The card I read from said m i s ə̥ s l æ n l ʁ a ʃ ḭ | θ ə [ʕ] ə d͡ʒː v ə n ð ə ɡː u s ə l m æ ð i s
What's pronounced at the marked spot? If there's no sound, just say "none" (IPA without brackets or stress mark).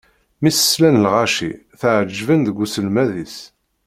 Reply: ʕ